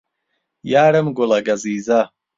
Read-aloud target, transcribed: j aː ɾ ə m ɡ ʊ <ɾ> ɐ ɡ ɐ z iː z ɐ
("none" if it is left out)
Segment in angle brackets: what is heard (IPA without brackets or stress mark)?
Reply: l